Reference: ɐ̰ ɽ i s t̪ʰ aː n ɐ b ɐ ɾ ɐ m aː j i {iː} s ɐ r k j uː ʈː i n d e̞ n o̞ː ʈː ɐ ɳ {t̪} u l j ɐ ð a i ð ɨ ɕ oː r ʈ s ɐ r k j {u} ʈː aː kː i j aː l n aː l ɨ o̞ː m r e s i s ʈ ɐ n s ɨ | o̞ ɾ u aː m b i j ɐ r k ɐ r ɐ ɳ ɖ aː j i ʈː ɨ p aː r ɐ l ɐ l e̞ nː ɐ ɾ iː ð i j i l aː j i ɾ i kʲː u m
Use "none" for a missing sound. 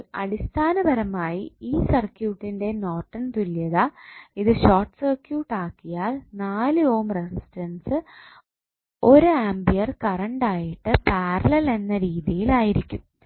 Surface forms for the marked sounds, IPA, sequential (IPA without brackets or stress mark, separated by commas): iː, t̪, uː